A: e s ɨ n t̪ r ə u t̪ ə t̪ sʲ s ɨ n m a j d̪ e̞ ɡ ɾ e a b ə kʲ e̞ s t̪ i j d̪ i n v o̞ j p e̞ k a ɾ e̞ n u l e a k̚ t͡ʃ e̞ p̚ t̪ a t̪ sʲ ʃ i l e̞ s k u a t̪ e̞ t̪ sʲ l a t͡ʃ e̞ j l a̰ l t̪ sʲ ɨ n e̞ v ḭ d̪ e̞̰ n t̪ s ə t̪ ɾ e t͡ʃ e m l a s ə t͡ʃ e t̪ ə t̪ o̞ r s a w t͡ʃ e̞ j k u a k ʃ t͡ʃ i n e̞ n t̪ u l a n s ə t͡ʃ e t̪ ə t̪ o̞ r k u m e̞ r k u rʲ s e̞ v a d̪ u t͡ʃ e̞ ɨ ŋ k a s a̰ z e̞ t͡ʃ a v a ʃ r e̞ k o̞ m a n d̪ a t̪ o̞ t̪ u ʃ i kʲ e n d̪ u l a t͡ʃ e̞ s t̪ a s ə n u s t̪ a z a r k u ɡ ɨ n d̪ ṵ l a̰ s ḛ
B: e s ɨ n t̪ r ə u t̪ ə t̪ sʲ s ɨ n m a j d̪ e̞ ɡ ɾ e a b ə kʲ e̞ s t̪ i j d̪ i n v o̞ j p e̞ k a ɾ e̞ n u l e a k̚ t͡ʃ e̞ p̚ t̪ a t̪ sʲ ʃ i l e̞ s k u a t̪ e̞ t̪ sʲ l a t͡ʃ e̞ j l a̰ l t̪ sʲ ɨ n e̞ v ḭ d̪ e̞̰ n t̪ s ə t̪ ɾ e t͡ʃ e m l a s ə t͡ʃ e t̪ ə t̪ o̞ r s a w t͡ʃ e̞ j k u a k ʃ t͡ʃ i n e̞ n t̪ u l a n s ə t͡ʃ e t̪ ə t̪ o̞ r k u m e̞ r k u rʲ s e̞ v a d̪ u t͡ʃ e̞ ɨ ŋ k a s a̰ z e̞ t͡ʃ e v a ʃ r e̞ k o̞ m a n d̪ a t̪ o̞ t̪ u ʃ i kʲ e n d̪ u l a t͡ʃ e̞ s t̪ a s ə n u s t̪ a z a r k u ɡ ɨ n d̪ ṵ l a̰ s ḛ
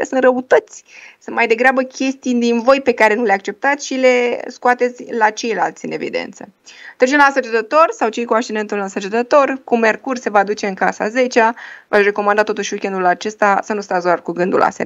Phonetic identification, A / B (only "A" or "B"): A